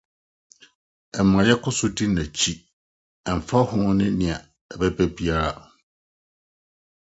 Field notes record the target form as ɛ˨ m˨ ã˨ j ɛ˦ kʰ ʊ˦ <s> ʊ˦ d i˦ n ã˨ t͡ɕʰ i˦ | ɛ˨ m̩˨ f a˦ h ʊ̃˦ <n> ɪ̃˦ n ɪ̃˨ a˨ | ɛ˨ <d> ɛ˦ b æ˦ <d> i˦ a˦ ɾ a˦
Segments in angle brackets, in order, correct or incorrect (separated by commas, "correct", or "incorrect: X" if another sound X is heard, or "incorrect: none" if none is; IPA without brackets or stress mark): correct, correct, incorrect: b, incorrect: b